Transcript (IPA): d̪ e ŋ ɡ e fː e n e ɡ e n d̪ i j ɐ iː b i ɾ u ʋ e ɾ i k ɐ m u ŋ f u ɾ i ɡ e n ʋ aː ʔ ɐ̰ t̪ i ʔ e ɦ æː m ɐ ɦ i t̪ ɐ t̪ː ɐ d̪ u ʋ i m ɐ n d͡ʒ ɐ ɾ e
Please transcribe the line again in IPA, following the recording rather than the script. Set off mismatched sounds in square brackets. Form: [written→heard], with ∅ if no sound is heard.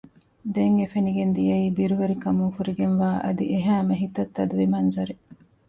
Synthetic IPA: d̪ e ŋ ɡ e [fː→f] e n [e→i] ɡ e n d̪ i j ɐ iː b i ɾ u ʋ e ɾ i k ɐ m u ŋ f u ɾ i ɡ e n ʋ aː ʔ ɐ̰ [t̪→d̪] i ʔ e ɦ æː m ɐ ɦ i t̪ ɐ t̪ː ɐ d̪ u ʋ i m ɐ n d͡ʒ ɐ ɾ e